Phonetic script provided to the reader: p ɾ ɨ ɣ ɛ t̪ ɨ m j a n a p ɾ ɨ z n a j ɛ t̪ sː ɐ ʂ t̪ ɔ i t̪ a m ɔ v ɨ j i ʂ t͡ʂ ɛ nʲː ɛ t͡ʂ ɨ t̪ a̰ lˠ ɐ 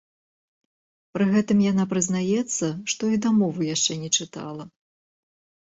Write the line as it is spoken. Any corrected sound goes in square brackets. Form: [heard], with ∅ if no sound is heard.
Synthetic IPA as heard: p ɾ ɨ ɣ ɛ t̪ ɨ m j a n a p ɾ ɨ z n a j ɛ t̪ sː ɐ ʂ t̪ ɔ i [d̪] a m ɔ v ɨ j [a] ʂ t͡ʂ ɛ [nʲ] ɛ t͡ʂ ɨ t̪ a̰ lˠ ɐ